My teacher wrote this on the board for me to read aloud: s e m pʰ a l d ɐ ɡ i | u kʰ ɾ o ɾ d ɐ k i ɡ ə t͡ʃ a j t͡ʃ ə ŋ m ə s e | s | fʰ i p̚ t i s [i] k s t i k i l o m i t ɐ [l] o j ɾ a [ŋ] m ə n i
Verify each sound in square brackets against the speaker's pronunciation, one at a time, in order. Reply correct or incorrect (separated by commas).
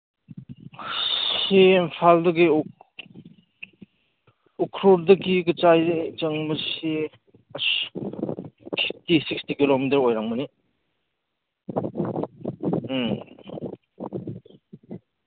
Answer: correct, incorrect, correct